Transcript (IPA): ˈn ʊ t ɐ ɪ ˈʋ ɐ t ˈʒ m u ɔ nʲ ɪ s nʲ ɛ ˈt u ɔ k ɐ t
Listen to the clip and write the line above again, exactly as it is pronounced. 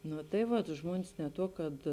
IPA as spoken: ˈn ʊ t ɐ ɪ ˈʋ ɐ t ˈʒ m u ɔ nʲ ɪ s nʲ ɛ ˈt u ɔ k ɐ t